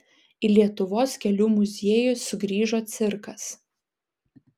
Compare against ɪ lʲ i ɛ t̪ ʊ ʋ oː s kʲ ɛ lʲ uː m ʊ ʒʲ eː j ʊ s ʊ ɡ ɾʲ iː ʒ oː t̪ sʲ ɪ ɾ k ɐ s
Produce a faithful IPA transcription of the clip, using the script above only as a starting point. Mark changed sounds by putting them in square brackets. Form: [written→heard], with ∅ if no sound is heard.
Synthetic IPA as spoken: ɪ lʲ i ɛ t̪ ʊ ʋ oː s kʲ ɛ lʲ uː m ʊ [ʒʲ→zʲ] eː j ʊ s ʊ ɡ ɾʲ iː ʒ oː t̪ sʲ ɪ ɾ k ɐ s